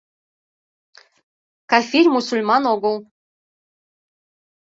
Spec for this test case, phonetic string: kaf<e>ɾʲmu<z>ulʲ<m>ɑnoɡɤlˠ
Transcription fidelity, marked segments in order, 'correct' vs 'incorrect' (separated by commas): incorrect, incorrect, correct